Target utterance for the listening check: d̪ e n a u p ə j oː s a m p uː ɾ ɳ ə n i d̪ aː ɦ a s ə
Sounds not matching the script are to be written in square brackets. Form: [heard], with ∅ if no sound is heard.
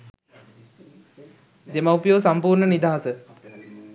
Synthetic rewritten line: d̪ e [m] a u p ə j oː s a m p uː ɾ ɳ ə n i d̪ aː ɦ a s ə

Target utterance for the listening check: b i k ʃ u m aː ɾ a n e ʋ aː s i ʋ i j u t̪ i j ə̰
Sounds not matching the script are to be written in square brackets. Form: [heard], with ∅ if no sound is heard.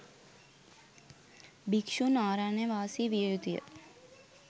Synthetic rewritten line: b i k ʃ u [n] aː ɾ a n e ʋ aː s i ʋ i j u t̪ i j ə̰

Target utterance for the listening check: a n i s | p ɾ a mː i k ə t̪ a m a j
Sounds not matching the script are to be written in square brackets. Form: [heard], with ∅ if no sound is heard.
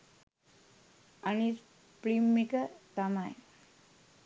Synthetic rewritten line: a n i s | p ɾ [i] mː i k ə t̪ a m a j

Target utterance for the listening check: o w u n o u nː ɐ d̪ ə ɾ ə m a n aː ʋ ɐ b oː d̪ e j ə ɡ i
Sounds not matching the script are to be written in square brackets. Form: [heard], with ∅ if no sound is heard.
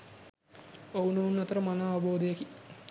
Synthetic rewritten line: o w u n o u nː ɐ [t̪] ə ɾ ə m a n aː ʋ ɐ b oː d̪ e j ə [k] i

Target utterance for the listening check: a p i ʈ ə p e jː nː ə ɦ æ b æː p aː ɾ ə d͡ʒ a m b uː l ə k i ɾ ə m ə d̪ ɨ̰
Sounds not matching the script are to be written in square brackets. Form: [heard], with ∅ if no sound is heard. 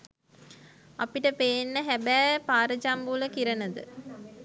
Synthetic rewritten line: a p i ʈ ə p e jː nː ə ɦ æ b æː p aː ɾ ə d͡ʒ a m b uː l ə k i ɾ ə [n] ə d̪ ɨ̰

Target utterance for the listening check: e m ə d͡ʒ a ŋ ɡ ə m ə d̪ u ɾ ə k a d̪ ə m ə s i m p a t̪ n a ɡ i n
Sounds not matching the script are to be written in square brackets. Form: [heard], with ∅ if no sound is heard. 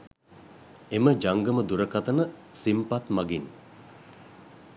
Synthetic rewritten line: e m ə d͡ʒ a ŋ ɡ ə m ə d̪ u ɾ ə k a [t̪] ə [n] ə s i m p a t̪ [m] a ɡ i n

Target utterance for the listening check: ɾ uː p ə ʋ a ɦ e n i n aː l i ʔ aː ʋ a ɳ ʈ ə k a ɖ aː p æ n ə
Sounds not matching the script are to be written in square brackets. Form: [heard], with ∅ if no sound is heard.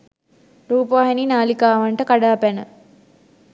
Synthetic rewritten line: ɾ uː p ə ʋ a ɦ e n i n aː l i [k] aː ʋ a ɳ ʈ ə k a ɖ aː p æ n ə

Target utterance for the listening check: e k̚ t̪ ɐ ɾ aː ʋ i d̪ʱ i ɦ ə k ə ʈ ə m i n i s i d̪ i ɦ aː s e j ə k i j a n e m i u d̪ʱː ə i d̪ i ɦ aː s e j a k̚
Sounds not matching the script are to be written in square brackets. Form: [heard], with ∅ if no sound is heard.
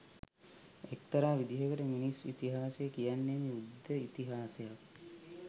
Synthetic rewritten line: e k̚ t̪ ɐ ɾ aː ʋ i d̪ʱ i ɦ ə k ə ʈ ə m i n i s i [t̪] i ɦ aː s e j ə k i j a [nː] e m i u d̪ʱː ə i [t̪] i ɦ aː s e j a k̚

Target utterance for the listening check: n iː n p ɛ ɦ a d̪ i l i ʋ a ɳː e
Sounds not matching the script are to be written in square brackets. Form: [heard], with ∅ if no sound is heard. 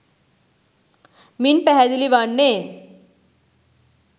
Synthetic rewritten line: [m] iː n p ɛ ɦ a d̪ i l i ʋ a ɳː e

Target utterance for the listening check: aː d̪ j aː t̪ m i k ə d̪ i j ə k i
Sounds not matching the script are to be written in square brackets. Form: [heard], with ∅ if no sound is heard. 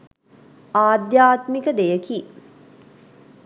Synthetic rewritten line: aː d̪ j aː t̪ m i k ə d̪ [e] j ə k i

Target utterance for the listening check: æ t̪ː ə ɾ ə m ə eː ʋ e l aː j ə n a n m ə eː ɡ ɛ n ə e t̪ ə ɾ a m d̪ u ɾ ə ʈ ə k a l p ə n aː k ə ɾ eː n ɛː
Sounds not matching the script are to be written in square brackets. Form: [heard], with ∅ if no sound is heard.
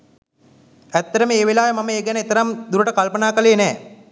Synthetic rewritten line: æ t̪ː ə ɾ ə m ə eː ʋ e l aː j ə [m] a [∅] m ə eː ɡ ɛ n ə e t̪ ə ɾ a m d̪ u ɾ ə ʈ ə k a l p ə n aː k ə [l] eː n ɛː

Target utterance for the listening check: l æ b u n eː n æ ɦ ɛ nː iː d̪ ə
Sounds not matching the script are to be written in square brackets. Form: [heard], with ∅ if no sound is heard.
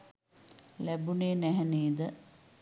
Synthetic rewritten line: l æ b u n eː n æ ɦ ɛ [n] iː d̪ ə

